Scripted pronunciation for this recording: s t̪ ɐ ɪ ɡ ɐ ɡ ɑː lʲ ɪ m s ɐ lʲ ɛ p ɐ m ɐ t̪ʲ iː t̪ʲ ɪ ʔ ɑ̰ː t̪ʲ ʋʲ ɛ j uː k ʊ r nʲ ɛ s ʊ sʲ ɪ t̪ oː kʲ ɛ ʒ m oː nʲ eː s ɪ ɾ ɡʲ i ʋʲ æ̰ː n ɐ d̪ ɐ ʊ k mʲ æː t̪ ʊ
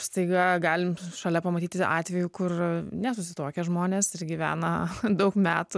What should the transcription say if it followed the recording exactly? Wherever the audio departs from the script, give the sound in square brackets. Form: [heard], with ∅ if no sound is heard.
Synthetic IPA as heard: s t̪ ɐ ɪ ɡ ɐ ɡ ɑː lʲ ɪ m [ʃ] ɐ lʲ ɛ p ɐ m ɐ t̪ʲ iː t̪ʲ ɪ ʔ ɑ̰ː t̪ʲ ʋʲ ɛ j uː k ʊ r nʲ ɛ s ʊ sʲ ɪ t̪ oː kʲ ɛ ʒ m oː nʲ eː s ɪ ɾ ɡʲ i ʋʲ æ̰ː n ɐ d̪ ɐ ʊ k mʲ æː t̪ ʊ